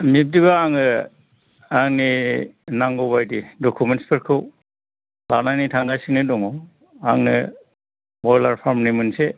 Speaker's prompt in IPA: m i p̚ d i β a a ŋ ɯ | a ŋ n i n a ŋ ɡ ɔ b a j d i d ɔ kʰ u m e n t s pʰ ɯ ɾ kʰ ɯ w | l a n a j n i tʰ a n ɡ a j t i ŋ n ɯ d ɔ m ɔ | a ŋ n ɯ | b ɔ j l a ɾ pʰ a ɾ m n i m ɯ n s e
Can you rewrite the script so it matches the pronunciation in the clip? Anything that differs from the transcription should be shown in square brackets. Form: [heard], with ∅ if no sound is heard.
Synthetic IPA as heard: m i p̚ d i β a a ŋ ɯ | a ŋ n i n a ŋ ɡ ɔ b a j d i d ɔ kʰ u m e n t s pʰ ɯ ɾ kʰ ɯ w | l a n a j n i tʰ a [ŋ] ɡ a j [s] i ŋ n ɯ d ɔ [ŋ] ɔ | a ŋ n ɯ | b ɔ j l a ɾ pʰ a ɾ m n i m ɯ n s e